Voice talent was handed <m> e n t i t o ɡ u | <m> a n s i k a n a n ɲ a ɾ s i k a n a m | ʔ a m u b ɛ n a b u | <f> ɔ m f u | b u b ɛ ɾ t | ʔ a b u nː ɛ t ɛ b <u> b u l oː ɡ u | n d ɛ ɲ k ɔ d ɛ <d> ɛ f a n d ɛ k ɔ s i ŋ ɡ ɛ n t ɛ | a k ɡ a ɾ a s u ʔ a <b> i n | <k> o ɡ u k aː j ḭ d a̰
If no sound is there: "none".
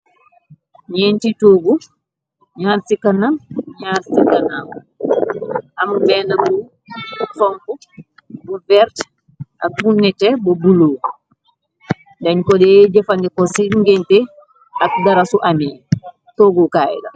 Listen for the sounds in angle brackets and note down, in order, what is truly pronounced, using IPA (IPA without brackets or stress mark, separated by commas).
ɲ, ɲ, f, ɔ, d͡ʒ, m, t